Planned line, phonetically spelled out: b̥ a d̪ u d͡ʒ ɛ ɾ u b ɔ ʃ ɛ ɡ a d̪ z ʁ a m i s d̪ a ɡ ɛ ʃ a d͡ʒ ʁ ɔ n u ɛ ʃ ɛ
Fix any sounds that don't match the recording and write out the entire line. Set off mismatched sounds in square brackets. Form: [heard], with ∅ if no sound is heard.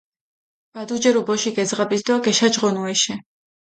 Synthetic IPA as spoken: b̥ a d̪ u d͡ʒ ɛ ɾ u b ɔ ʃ [i] ɡ [ɛ] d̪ z ʁ a [b] i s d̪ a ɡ ɛ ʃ a d͡ʒ ʁ ɔ n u ɛ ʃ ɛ